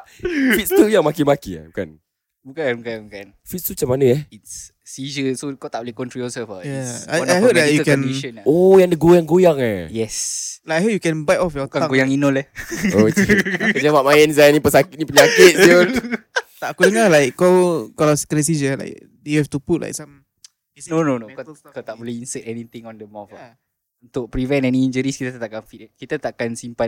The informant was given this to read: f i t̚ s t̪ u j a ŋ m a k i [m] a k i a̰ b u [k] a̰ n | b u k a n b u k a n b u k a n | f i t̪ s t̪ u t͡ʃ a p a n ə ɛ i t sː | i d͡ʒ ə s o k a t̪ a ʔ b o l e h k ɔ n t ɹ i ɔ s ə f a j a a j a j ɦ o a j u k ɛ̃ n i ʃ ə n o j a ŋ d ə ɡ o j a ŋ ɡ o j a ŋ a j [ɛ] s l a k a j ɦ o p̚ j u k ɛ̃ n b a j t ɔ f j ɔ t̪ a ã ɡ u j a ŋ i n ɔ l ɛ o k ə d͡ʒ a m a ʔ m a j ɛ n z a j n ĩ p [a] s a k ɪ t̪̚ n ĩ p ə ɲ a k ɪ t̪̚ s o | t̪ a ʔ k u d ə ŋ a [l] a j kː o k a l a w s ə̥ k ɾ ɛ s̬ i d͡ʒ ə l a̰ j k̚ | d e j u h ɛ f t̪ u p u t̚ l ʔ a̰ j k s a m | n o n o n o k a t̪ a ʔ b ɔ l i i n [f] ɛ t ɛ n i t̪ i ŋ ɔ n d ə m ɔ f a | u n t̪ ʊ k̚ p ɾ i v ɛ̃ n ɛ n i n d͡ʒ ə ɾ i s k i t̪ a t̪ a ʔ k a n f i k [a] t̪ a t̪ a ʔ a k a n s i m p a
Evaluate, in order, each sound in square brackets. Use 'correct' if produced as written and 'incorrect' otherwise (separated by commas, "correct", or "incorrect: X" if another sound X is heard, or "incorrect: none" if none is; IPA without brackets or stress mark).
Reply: correct, correct, correct, incorrect: ə, correct, incorrect: s, incorrect: i